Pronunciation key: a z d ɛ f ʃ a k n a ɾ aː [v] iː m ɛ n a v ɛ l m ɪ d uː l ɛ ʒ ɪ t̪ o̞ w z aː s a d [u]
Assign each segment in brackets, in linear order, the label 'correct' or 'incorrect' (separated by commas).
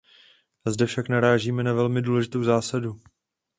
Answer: incorrect, correct